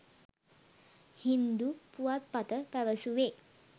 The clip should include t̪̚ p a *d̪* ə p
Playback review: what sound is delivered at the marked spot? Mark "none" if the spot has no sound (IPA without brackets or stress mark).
t̪